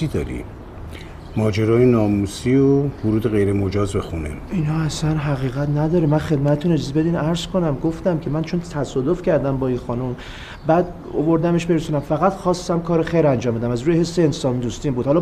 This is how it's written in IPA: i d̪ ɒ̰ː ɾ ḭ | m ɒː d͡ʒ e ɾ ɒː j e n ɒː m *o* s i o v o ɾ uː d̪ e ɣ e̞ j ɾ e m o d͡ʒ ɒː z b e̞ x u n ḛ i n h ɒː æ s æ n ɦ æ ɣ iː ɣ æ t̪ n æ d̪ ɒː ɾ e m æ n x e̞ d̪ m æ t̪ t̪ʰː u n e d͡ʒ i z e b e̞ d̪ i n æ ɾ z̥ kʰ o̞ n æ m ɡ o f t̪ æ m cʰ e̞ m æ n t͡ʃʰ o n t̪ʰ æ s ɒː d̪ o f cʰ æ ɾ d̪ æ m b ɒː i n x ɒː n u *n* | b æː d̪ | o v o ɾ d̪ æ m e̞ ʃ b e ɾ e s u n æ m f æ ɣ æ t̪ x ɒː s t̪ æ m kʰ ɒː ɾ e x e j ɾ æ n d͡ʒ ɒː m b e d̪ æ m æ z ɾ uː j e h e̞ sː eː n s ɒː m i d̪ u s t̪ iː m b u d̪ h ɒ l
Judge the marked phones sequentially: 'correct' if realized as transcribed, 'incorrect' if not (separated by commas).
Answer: incorrect, incorrect